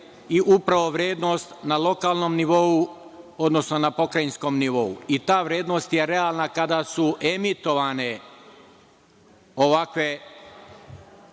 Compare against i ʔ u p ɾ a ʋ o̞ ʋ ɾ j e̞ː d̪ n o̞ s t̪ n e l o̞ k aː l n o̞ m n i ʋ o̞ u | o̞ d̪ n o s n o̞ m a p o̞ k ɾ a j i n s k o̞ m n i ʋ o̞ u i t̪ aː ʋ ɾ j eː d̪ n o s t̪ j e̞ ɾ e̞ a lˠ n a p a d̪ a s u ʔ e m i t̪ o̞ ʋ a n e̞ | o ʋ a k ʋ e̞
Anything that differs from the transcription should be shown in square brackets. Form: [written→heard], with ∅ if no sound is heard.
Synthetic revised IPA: i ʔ u p ɾ a ʋ o̞ ʋ ɾ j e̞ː d̪ n o̞ s t̪ n [e→a] l o̞ k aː l n o̞ m n i ʋ o̞ u | o̞ d̪ n o s n o̞ [m→n] a p o̞ k ɾ a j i n s k o̞ m n i ʋ o̞ u i t̪ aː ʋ ɾ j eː d̪ n o s t̪ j e̞ ɾ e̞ a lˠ n a [p→k] a d̪ a s u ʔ e m i t̪ o̞ ʋ a n e̞ | o ʋ a k ʋ e̞